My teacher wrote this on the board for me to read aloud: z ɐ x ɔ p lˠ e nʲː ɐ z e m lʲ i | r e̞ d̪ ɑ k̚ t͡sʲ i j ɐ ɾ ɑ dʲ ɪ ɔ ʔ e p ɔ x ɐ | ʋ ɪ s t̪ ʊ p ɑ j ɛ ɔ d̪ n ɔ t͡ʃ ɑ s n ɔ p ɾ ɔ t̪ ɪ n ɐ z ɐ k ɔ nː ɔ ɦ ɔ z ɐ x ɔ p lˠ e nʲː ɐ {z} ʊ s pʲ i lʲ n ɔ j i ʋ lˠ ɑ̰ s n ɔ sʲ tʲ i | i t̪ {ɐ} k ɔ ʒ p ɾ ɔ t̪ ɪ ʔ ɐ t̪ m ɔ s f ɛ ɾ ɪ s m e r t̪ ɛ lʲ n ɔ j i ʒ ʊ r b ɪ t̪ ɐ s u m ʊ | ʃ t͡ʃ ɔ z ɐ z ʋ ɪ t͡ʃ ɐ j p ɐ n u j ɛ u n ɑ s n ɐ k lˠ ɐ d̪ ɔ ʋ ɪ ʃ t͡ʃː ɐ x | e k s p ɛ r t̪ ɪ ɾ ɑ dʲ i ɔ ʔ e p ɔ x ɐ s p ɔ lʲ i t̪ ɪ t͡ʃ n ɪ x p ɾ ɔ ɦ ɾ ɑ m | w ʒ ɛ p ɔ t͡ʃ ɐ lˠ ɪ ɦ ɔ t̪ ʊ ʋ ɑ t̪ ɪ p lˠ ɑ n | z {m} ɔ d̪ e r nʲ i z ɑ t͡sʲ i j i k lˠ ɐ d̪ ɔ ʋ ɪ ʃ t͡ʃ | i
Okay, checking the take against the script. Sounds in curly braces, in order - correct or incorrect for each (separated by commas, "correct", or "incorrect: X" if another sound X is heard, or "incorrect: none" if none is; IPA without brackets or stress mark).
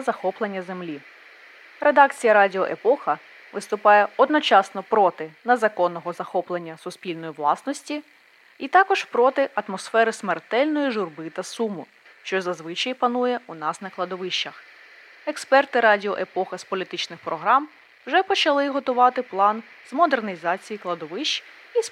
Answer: incorrect: s, incorrect: ɑ, correct